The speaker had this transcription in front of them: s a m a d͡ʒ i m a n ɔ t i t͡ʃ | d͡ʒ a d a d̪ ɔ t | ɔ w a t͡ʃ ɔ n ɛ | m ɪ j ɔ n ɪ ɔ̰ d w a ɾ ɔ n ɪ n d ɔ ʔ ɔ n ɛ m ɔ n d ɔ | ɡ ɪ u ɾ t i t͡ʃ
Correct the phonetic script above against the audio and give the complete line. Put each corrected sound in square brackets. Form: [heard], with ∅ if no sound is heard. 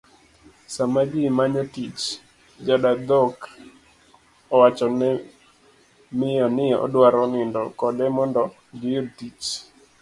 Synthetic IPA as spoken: s a m a d͡ʒ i m a [ɲ] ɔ t i t͡ʃ | d͡ʒ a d a d̪ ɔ [k] | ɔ w a t͡ʃ ɔ n ɛ | m ɪ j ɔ n ɪ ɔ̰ d w a ɾ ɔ n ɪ n d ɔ [k] ɔ [d] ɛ m ɔ n d ɔ | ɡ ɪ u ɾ t i t͡ʃ